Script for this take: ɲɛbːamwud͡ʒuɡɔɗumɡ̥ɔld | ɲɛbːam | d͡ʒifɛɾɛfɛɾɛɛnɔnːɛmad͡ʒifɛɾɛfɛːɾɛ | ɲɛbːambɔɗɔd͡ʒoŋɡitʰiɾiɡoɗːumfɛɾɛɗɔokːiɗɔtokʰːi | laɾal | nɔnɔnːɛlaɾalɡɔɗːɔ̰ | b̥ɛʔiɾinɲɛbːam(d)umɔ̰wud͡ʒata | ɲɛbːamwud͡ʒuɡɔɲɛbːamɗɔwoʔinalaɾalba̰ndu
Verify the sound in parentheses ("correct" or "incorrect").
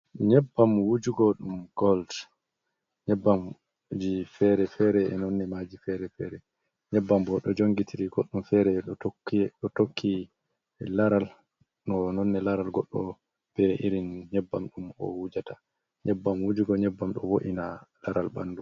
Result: incorrect